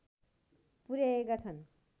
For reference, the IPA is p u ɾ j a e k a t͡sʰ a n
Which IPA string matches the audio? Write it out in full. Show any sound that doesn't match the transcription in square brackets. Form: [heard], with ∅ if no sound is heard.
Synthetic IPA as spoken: p u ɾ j a e k a t͡sʰ [ʌ] n